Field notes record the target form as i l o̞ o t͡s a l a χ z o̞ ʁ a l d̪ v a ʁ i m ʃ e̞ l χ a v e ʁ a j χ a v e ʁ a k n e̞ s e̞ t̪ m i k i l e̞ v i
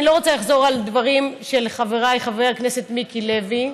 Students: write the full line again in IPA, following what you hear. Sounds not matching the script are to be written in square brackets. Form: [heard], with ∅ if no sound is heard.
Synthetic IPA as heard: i l o̞ o t͡s a l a χ z o̞ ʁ a l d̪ v a ʁ i m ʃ e̞ l χ a v e ʁ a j χ a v e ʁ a k n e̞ s e̞ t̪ m i k i l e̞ v i

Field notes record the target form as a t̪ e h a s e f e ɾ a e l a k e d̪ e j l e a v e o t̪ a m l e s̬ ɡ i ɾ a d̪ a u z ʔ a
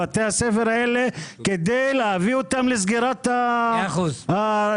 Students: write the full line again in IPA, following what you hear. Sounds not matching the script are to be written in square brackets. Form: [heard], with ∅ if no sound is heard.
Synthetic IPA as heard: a t̪ e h a s e f e ɾ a e l [e] k e d̪ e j l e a v [i] o t̪ a m l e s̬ ɡ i ɾ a [t̪] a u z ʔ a

